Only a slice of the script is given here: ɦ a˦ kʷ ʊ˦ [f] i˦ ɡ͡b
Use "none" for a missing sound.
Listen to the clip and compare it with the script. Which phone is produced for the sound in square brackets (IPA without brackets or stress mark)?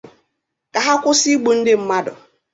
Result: s